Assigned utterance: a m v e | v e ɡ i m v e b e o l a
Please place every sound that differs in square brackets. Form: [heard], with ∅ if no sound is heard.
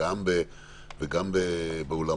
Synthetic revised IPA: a m [b] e | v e ɡ [a] m [b] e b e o l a